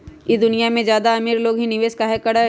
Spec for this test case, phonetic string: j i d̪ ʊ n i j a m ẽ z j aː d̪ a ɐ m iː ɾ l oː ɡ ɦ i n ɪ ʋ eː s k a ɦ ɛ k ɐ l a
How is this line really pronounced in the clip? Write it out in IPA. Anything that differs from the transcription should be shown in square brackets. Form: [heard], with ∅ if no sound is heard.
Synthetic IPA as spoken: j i d̪ ʊ n i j a m ẽ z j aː d̪ a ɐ m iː ɾ l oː ɡ ɦ i n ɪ ʋ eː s k a ɦ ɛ k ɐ [ɽ] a